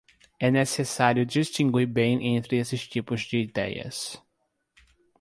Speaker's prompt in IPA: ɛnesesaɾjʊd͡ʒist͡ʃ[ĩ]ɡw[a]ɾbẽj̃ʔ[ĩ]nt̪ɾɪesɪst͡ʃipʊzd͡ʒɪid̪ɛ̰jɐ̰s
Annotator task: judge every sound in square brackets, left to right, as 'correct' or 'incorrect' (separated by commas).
correct, incorrect, incorrect